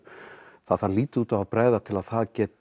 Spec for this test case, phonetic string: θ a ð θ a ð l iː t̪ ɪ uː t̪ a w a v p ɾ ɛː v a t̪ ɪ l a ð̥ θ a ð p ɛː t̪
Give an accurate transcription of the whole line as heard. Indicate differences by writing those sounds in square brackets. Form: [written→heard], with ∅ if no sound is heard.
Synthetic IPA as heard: θ a ð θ a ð l iː t̪ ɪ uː t̪ a [w→v] a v p ɾ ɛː [v→ð] a [t̪→t̪ʰ] ɪ l a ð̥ θ a ð [p→c] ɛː t̪